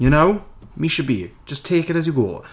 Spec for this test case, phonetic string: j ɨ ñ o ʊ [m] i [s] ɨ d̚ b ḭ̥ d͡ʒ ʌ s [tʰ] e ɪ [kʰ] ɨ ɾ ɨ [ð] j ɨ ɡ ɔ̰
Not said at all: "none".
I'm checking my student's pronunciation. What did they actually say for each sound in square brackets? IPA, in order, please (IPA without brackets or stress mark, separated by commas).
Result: m, ʃ, tʰ, k, z